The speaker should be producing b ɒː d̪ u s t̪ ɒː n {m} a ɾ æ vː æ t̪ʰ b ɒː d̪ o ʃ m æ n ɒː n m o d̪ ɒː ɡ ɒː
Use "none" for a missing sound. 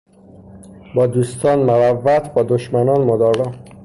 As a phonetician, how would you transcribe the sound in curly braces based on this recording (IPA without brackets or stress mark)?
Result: m